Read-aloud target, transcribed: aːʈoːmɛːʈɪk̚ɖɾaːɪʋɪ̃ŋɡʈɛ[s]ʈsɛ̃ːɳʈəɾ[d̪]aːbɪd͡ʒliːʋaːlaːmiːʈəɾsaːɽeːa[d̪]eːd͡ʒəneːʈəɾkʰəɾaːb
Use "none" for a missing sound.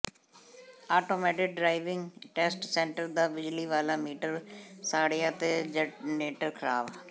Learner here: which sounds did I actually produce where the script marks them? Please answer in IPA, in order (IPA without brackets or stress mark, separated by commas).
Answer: s, d̪, t̪